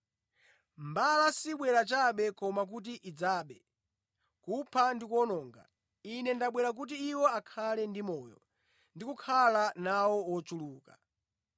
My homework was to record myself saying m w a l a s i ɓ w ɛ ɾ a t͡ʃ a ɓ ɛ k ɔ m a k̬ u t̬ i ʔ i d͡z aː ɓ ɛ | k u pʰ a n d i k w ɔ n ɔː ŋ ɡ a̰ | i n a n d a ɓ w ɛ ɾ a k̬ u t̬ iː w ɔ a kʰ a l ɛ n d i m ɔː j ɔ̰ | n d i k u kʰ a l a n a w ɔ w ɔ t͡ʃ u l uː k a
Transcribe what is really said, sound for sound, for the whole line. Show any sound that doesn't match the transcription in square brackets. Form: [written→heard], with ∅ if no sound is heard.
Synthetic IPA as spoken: m [w→b] a l a s i ɓ w ɛ ɾ a t͡ʃ a ɓ ɛ k ɔ m a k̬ u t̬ i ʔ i d͡z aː ɓ ɛ | k u pʰ a n d i k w ɔ n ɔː ŋ ɡ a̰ | i n [a→ɛ] n d a ɓ w ɛ ɾ a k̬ u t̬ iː w ɔ a kʰ a l ɛ n d i m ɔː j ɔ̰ | n d i k u kʰ a l a n a w ɔ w ɔ t͡ʃ u l uː k a